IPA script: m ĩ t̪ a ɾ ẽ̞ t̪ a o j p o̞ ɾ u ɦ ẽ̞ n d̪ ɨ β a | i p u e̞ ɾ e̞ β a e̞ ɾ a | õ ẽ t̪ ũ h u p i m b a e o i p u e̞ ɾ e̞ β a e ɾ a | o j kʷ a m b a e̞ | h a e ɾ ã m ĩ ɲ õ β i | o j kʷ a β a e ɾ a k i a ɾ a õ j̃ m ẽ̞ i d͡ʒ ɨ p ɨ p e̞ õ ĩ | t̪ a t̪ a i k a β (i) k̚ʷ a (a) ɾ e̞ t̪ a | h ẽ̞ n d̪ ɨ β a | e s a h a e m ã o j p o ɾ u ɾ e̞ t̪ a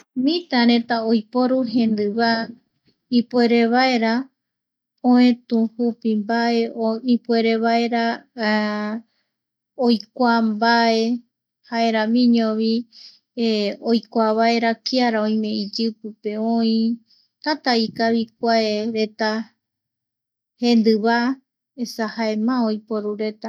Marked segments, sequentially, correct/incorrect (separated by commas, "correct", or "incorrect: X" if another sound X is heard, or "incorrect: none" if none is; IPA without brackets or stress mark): correct, incorrect: e